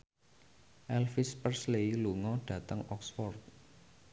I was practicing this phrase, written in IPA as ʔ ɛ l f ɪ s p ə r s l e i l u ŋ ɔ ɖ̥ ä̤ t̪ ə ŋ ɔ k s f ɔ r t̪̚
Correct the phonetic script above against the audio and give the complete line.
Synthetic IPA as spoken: ʔ ɛ l f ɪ s p ə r s l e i l u ŋ ɔ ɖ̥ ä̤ t̪ ə ŋ ɔ k s f ɔ r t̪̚